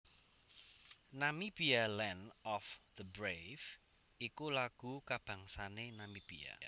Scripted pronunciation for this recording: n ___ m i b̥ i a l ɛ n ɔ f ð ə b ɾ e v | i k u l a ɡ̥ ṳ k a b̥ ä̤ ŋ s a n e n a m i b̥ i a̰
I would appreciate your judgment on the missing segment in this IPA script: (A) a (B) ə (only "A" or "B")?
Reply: A